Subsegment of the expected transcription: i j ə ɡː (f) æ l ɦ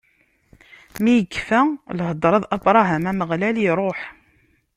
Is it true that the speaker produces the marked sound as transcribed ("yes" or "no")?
yes